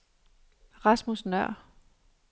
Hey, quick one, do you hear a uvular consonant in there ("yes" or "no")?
yes